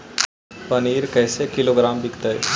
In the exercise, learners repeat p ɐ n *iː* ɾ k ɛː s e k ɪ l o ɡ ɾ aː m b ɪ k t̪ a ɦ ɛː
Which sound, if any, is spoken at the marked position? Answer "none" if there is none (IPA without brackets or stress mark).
iː